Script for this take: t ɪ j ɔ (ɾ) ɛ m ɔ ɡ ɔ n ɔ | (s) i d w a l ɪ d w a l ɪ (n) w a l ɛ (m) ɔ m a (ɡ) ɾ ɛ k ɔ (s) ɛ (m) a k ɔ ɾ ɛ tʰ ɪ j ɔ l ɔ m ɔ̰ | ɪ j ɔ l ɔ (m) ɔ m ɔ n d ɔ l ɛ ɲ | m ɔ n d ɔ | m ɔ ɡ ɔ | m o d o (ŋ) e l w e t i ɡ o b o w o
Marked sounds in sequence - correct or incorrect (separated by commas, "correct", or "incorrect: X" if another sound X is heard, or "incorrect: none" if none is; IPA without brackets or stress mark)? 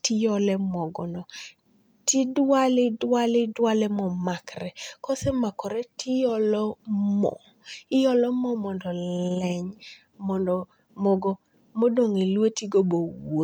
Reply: incorrect: l, incorrect: t, incorrect: d, correct, incorrect: k, correct, correct, correct, correct